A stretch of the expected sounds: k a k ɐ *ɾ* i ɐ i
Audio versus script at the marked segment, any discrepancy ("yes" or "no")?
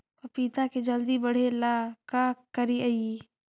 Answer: no